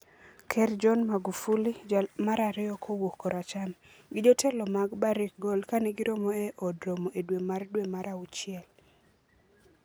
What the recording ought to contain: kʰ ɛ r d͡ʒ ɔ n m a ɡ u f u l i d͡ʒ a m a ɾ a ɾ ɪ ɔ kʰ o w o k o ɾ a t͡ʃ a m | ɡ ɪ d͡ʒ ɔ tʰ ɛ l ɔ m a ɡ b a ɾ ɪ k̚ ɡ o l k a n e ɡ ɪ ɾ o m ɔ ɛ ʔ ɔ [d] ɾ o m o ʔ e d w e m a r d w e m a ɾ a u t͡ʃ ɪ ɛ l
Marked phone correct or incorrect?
correct